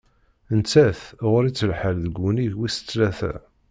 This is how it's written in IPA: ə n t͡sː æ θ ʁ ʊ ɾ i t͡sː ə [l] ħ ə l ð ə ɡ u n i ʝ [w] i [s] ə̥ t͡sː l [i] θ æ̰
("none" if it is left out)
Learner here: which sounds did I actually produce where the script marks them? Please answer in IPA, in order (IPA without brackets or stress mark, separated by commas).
l, w, s, æ